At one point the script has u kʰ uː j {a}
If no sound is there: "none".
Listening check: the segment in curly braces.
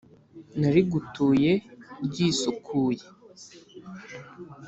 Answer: e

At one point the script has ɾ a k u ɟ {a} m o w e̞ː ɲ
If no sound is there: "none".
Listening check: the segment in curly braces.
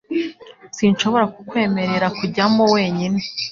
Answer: a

